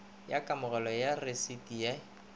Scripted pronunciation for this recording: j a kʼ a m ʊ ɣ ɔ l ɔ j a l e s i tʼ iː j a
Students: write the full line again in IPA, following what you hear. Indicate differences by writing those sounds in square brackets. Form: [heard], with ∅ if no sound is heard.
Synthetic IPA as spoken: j a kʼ a m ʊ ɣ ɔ l ɔ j a [r] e s i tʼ [i] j a